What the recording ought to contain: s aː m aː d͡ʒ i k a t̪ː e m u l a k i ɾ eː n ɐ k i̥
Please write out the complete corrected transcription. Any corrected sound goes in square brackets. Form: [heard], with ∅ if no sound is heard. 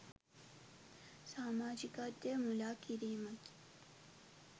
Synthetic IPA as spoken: s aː m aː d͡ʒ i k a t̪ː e m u l a k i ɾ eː [m] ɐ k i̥